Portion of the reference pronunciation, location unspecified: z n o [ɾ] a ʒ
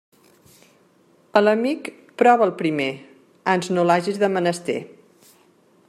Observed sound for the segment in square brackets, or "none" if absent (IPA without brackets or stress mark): l